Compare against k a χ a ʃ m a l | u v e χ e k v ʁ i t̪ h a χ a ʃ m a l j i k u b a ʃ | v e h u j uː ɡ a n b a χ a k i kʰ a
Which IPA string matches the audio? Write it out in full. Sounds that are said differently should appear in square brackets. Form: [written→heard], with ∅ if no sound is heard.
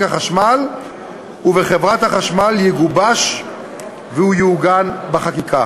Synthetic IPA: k a χ a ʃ m a l | u v e χ e [k→∅] v ʁ [i→a] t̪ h a χ a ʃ m a l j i [k→ɡ] u b a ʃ | v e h u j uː ɡ a n b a χ a k i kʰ a